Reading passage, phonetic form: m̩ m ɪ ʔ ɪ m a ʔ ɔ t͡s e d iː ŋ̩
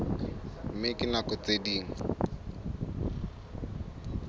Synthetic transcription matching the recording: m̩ m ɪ k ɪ n a k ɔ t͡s e d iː ŋ̩